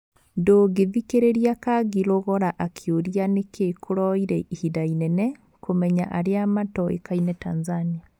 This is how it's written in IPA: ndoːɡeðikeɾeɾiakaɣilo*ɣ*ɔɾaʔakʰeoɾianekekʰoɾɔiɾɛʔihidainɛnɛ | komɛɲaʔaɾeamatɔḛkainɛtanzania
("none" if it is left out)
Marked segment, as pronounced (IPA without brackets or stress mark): ɣ